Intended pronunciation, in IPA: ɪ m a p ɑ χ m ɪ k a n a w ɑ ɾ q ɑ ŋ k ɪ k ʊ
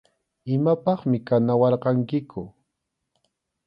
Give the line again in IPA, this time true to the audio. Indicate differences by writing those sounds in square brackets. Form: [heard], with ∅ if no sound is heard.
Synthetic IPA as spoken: ɪ m a p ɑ χ m ɪ k a n a w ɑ ɾ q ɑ ŋ k ɪ k ʊ